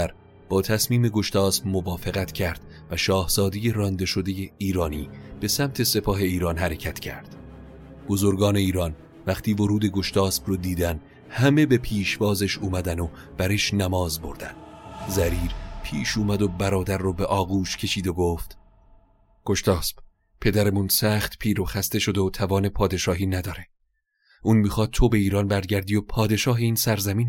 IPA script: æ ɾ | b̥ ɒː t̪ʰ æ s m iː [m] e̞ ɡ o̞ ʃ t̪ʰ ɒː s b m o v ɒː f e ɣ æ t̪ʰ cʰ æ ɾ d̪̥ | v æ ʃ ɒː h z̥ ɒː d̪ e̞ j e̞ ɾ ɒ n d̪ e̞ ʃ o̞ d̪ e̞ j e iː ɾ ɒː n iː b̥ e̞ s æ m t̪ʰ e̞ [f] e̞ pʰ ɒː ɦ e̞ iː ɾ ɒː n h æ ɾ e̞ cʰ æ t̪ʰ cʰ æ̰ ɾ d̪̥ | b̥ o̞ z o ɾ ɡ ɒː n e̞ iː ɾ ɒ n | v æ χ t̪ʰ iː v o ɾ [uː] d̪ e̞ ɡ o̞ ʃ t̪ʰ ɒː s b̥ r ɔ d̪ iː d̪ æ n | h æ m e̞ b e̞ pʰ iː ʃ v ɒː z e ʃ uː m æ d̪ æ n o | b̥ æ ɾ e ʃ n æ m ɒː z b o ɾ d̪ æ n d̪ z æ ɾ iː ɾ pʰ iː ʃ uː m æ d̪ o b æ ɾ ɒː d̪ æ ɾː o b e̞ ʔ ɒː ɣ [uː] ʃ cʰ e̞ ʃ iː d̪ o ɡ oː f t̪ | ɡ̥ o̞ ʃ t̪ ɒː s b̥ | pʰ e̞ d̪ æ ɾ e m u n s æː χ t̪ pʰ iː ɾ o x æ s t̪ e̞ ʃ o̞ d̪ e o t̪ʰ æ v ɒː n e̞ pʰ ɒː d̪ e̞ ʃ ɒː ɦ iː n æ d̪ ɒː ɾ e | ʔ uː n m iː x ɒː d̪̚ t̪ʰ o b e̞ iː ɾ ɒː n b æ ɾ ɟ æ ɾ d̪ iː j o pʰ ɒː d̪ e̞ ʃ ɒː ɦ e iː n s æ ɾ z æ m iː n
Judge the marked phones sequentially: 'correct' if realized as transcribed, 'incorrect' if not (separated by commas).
correct, incorrect, correct, correct